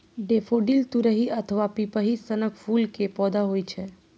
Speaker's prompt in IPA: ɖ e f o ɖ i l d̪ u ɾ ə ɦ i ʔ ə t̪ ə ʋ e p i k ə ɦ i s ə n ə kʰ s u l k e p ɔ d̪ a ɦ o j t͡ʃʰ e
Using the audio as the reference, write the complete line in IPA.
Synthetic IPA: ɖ e f o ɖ i l t̪ u ɾ ə ɦ i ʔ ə t̪ʰ ə ʋ a p i p ə ɦ i s ə n ə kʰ f u l k e p ɔ d̪ a ɦ o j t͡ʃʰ e